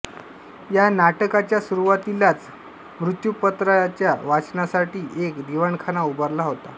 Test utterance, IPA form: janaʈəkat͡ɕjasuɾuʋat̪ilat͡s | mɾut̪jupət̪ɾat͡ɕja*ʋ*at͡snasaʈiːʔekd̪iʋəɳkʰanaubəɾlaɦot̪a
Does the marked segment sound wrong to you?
no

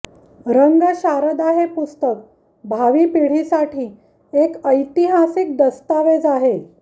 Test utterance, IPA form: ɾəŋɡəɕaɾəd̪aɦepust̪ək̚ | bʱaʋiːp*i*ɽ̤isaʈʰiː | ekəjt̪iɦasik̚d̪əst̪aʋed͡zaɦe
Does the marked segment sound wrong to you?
no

